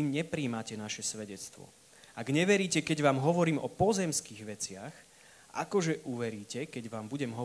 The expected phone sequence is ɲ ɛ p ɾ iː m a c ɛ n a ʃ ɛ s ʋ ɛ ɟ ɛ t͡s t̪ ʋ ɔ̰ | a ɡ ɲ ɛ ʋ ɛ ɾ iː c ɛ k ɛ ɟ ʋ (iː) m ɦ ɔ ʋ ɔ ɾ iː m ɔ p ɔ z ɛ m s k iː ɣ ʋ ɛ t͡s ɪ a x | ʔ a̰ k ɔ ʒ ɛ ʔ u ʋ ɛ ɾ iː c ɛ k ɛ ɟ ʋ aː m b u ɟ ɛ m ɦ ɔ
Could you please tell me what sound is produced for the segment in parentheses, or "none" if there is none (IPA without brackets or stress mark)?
aː